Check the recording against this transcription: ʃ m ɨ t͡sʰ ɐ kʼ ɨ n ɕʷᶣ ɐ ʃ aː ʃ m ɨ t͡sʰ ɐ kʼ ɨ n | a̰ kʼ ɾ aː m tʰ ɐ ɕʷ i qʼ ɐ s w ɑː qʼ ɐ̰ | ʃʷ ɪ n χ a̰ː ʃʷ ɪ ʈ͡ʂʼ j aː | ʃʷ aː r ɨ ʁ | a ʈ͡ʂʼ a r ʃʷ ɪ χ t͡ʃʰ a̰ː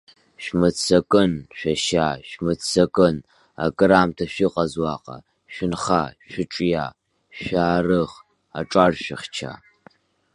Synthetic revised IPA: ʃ m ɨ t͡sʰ ɐ kʼ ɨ n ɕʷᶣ ɐ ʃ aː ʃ m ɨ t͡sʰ ɐ kʼ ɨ n | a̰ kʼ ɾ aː m tʰ ɐ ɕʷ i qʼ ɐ z w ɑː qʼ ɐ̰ | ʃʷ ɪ n χ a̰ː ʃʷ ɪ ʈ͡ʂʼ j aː | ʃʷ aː r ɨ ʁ | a ʈ͡ʂʼ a r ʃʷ ɪ χ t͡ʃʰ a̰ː

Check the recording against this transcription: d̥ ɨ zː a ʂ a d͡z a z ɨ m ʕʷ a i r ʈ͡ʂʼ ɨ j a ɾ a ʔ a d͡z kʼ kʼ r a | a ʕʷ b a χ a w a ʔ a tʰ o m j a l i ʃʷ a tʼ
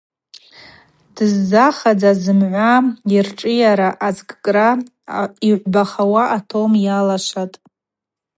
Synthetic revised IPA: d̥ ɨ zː a χ a d͡z a z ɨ m ʕʷ a i r ʈ͡ʂʼ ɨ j a ɾ a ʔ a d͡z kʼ kʼ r a | i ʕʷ b a χ a w a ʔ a tʰ o m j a l a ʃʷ a tʼ

